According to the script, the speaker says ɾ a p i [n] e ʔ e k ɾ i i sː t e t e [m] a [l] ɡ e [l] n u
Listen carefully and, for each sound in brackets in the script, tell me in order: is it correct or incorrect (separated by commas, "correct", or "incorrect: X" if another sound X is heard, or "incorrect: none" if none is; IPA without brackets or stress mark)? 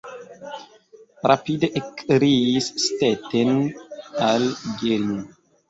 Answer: incorrect: d, incorrect: n, correct, correct